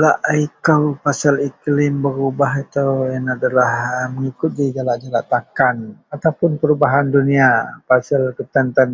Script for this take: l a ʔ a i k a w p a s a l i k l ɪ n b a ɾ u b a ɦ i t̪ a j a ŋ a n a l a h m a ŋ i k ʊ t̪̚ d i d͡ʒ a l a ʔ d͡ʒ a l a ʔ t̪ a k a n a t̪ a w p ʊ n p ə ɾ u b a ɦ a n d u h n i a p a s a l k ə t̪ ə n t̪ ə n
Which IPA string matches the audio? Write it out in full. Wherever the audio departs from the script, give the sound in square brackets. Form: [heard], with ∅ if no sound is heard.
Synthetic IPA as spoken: l a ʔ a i k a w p a s a l i k l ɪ [m] b [ə] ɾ u b a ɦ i t̪ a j a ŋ a [d] a l a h m [ə] ŋ i k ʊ t̪̚ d i d͡ʒ a l a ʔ d͡ʒ a l a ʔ t̪ a k a n a t̪ a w p ʊ n p ə ɾ u b a ɦ a n d u [∅] n i a p a s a l k ə t̪ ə n t̪ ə n